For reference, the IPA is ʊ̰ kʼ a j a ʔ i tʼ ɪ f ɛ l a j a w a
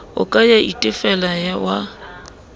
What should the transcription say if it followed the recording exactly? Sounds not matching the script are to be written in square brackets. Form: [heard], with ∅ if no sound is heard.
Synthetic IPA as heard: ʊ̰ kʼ a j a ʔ i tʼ ɪ f ɛ l a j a w a